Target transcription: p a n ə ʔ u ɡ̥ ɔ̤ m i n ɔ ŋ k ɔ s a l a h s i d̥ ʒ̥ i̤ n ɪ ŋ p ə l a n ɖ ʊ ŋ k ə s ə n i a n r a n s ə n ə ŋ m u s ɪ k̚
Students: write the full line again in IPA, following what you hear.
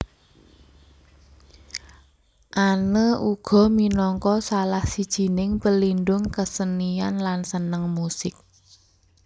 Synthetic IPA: ʔ a n ə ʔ u ɡ̥ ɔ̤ m i n ɔ ŋ k ɔ s a l a h s i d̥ ʒ̥ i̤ n ɪ ŋ p ə l i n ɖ ʊ ŋ k ə s ə n i a n l a n s ə n ə ŋ m u s ɪ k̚